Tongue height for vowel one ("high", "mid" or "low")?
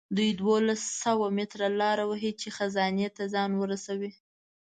high